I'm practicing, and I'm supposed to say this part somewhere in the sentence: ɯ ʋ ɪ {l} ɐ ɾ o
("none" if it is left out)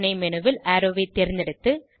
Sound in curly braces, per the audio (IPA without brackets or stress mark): l